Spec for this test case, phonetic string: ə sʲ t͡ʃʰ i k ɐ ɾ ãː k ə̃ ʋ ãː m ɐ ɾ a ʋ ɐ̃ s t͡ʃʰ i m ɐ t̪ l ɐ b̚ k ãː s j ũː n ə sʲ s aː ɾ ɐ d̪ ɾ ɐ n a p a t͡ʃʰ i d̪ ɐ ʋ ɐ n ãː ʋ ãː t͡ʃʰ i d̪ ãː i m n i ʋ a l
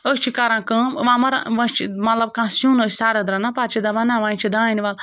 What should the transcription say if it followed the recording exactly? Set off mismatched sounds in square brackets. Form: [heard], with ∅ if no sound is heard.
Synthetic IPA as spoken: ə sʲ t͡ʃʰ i k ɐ ɾ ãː k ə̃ ʋ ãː m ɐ ɾ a ʋ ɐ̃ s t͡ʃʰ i m ɐ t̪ l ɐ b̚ k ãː s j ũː n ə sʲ s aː ɾ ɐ d̪ ɾ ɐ n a p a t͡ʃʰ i d̪ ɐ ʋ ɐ n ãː ʋ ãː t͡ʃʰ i d̪ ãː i [∅] n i ʋ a l